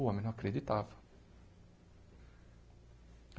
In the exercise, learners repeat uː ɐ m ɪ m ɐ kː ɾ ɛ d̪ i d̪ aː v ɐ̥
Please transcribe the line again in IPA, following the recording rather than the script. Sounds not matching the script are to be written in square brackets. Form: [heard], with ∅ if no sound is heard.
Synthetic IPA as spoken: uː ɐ m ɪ [n] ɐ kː ɾ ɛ d̪ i [t̪] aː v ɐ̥